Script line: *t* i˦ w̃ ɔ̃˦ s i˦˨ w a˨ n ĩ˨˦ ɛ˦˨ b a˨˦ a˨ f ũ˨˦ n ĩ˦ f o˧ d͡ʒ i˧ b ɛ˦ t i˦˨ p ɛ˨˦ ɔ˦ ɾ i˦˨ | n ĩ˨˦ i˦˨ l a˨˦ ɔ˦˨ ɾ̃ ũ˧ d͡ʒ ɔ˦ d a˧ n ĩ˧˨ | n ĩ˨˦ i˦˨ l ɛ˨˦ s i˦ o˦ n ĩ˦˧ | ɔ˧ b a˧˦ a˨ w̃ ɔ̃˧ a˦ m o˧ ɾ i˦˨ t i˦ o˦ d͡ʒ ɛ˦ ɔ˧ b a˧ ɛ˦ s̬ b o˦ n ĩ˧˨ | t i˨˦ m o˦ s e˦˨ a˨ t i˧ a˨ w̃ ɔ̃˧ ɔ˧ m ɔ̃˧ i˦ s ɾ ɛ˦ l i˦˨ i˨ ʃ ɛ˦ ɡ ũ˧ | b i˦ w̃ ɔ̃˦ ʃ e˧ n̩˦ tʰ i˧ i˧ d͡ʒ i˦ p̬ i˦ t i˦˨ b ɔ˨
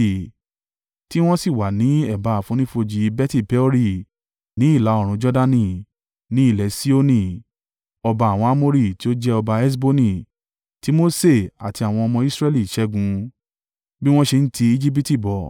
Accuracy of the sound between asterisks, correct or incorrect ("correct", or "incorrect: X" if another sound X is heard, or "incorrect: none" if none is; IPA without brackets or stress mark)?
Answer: correct